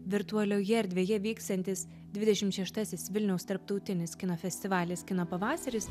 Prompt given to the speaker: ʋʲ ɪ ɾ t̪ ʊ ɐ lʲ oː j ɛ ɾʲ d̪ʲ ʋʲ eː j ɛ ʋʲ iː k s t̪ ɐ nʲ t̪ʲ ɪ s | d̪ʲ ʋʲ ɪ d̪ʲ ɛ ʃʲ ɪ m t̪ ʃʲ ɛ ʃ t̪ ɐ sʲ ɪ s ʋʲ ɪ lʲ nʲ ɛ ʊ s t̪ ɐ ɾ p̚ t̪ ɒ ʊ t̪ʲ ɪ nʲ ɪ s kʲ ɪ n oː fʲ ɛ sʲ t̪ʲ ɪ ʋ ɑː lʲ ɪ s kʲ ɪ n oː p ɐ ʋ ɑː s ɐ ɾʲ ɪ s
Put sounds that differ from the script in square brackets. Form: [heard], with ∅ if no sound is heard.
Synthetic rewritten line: ʋʲ ɪ ɾ t̪ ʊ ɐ lʲ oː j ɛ ɾʲ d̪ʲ ʋʲ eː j ɛ ʋʲ iː k s t̪ ɐ nʲ t̪ʲ ɪ s | d̪ʲ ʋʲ ɪ d̪ʲ ɛ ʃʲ ɪ m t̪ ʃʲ ɛ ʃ t̪ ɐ sʲ ɪ s ʋʲ ɪ lʲ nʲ ɛ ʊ s t̪ ɐ ɾ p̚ t̪ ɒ ʊ t̪ʲ ɪ nʲ ɪ s kʲ ɪ n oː fʲ ɛ sʲ t̪ʲ ɪ ʋ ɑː lʲ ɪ s kʲ ɪ n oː p ɐ ʋ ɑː s ɐ ɾʲ ɪ s